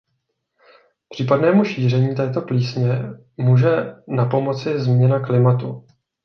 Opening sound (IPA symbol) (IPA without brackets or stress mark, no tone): p